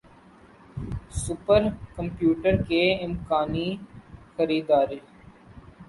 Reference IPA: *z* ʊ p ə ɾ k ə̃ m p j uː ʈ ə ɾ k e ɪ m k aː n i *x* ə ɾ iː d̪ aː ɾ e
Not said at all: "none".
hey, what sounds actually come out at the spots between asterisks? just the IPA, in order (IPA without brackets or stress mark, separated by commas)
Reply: s, x